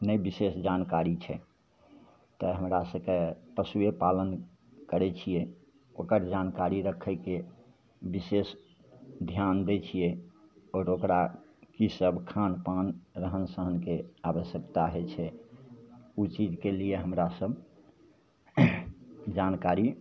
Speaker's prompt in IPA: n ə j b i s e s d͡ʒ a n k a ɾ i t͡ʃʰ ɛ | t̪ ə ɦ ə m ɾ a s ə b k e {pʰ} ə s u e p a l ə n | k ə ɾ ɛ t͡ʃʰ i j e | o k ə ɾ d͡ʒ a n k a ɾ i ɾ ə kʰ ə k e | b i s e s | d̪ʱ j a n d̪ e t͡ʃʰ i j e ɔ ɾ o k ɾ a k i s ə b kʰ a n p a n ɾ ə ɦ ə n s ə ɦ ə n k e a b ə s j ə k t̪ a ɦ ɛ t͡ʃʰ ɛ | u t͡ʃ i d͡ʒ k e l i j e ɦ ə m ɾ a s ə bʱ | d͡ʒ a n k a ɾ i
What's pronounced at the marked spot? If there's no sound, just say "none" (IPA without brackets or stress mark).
p